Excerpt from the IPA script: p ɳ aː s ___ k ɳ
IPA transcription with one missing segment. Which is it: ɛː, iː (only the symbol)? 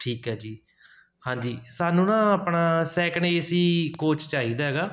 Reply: ɛː